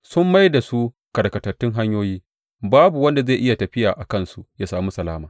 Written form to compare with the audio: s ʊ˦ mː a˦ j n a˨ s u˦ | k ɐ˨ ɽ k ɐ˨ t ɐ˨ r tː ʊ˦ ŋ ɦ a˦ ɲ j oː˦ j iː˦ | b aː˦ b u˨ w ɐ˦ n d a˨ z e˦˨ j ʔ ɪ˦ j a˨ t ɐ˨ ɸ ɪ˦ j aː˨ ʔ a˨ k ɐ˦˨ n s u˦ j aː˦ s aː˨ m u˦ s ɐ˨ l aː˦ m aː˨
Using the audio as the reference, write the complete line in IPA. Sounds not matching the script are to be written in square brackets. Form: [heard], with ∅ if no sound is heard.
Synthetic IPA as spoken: s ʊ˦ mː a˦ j [d] a˨ s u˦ | k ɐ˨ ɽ k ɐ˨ t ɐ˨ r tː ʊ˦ ŋ ɦ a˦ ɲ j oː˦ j iː˦ | b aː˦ b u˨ w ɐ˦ n d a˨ z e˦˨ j ʔ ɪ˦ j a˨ t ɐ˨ ɸ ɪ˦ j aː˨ ʔ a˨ k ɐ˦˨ n s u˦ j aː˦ s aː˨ m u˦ s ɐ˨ l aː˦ m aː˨